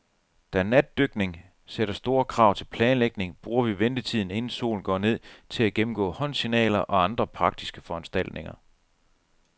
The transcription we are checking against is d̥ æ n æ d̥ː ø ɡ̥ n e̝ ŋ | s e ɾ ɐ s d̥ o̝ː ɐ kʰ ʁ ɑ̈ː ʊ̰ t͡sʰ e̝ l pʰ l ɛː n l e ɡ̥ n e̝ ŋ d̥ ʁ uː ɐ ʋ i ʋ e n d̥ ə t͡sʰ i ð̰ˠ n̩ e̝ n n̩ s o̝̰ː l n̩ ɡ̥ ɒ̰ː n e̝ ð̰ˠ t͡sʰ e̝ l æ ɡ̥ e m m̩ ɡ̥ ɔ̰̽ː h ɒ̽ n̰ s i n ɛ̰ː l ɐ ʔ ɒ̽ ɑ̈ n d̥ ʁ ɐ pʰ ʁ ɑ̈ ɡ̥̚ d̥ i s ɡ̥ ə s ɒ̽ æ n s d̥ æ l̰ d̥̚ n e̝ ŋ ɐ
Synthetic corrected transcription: d̥ æ n æ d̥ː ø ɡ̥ n e̝ ŋ | s e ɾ ɐ s d̥ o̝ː ɐ kʰ ʁ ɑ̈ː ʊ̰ t͡sʰ e̝ l pʰ l ɛː n l e ɡ̥ n e̝ ŋ b̥ ʁ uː ɐ ʋ i ʋ e n d̥ ə t͡sʰ i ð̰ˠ n̩ e̝ n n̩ s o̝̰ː l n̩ ɡ̥ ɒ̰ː n e̝ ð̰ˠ t͡sʰ e̝ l æ ɡ̥ e m m̩ ɡ̥ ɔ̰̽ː h ɒ̽ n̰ s i n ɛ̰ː l ɐ ʔ ɒ̽ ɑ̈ n d̥ ʁ ɐ pʰ ʁ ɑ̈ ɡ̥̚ d̥ i s ɡ̥ ə f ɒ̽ æ n s d̥ æ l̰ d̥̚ n e̝ ŋ ɐ